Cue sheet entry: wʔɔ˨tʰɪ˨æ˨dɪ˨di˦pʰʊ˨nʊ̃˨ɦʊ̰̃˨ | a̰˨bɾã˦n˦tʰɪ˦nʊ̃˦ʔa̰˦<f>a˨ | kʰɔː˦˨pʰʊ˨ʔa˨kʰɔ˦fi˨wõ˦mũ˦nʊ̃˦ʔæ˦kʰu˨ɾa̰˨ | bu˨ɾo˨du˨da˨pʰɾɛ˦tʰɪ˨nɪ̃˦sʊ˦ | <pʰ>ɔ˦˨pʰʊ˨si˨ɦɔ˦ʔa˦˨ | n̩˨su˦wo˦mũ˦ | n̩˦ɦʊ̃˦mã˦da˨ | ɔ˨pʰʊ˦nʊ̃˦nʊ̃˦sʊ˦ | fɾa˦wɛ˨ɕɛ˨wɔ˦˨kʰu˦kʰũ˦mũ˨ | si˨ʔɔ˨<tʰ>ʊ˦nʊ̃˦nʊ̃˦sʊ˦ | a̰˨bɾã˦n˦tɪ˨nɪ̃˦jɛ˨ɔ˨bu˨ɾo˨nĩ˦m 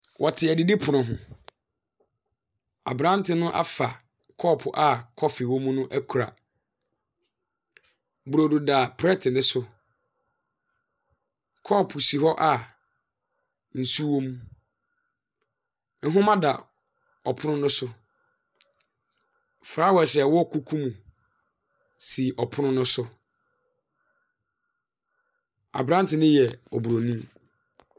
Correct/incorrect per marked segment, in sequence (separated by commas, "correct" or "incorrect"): correct, incorrect, incorrect